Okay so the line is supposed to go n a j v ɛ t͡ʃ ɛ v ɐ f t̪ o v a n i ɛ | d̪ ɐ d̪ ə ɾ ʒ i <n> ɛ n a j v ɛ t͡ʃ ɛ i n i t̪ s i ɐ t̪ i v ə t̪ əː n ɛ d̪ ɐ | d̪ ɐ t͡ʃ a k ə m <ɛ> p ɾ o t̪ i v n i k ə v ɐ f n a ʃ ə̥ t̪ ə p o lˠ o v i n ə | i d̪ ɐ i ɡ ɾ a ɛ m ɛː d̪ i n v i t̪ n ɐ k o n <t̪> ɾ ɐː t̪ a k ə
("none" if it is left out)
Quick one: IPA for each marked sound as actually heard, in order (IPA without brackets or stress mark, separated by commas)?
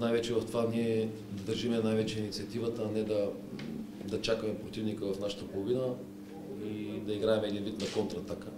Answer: m, ɛ, t̪